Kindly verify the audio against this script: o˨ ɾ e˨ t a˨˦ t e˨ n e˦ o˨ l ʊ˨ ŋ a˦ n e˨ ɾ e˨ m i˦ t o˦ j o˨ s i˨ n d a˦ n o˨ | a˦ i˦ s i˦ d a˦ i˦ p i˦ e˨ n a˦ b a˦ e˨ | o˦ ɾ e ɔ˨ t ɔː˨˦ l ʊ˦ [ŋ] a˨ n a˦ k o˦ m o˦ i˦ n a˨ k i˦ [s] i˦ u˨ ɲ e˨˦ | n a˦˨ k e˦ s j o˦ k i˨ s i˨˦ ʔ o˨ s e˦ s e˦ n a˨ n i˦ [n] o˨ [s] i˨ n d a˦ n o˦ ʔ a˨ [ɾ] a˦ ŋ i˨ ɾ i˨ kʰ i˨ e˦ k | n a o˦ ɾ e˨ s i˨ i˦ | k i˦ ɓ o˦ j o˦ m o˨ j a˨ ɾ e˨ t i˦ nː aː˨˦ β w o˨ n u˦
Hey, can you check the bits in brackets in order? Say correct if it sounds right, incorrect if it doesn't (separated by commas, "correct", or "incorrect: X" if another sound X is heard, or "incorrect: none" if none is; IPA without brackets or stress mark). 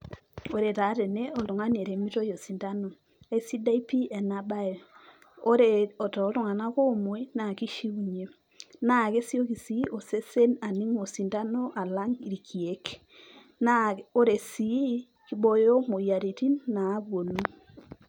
correct, incorrect: ʃ, incorrect: ŋ, correct, incorrect: l